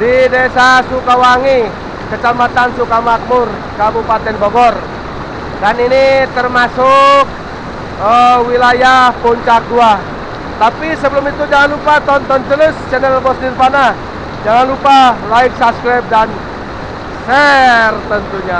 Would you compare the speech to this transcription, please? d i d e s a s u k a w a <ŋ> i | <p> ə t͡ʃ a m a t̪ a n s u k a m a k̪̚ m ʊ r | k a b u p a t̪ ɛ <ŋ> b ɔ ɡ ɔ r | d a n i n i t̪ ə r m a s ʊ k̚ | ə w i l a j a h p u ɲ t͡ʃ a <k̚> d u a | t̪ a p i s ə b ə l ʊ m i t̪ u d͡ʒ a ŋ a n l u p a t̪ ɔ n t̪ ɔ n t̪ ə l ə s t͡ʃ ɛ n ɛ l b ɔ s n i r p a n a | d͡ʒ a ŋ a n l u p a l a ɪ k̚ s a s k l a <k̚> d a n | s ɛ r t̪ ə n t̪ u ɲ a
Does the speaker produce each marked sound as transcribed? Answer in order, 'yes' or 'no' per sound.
yes, no, no, yes, no

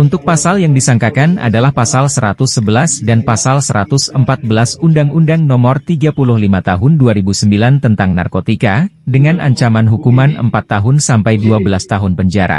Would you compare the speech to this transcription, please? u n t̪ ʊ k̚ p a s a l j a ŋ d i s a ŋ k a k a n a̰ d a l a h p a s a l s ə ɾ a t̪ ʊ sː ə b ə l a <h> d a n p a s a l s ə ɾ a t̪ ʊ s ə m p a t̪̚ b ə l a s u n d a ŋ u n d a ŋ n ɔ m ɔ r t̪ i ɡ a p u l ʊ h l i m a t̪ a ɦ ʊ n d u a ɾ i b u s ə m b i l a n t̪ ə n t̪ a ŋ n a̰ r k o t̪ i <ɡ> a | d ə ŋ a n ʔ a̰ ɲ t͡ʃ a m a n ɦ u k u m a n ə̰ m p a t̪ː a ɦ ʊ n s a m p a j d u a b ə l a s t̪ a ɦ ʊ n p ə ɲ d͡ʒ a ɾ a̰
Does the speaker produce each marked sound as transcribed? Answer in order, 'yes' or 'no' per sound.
no, no

